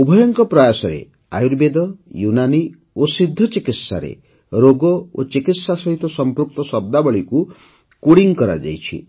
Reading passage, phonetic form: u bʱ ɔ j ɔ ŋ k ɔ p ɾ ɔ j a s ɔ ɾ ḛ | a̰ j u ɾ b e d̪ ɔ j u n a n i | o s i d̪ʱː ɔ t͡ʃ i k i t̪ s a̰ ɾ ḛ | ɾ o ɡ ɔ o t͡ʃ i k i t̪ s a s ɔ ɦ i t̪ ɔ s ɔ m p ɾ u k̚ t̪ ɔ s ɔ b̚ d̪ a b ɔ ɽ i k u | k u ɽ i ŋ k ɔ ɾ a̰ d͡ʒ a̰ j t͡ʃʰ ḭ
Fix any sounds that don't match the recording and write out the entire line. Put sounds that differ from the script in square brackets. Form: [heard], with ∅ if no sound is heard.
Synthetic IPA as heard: u bʱ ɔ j ɔ ŋ k ɔ p ɾ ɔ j a s ɔ ɾ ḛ | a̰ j u ɾ b e d̪ ɔ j u n a n i | o s i d̪ʱː ɔ t͡ʃ i k i t̪ s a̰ ɾ ḛ | ɾ o ɡ ɔ o t͡ʃ i k i t̪ s a s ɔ ɦ i t̪ ɔ s ɔ m p ɾ u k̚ t̪ ɔ s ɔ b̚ d̪ a b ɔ [ɭ] i k u | k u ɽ i ŋ k ɔ ɾ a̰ d͡ʒ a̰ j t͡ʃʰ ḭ